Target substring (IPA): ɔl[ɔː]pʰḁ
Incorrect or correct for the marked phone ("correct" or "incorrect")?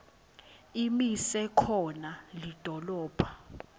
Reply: correct